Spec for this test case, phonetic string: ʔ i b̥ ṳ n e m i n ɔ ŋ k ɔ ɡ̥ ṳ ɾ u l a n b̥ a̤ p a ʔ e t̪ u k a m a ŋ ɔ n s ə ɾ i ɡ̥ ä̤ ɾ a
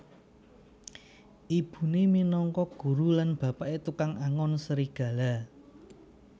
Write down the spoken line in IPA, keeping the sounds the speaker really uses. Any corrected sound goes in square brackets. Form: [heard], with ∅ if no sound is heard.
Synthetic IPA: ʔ i b̥ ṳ n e m i n ɔ ŋ k ɔ ɡ̥ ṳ ɾ u l a n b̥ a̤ p a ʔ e t̪ u k a [ŋ] a ŋ ɔ n s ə ɾ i ɡ̥ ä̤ [l] a